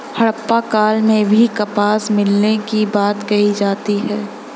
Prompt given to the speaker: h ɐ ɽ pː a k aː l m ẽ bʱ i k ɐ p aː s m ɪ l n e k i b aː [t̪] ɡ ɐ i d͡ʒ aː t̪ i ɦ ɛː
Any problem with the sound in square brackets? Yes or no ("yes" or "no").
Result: no